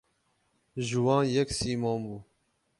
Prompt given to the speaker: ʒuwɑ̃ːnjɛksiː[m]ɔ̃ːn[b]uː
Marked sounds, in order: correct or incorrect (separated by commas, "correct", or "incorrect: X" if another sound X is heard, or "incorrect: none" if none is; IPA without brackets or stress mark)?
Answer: correct, correct